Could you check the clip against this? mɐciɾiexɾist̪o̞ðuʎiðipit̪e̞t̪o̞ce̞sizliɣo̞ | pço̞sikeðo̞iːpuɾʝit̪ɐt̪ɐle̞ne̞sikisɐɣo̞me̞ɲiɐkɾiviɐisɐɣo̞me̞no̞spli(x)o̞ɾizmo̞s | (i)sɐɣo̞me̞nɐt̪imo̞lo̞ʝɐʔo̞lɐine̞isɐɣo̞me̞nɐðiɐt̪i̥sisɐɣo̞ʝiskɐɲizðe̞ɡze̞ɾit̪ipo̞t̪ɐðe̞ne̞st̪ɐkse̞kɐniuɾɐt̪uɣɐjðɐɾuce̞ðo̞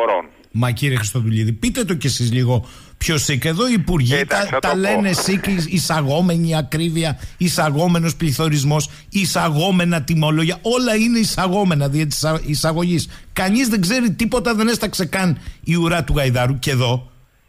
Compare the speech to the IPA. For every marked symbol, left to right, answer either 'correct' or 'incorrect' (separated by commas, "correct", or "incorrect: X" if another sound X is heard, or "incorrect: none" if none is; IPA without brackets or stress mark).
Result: incorrect: θ, correct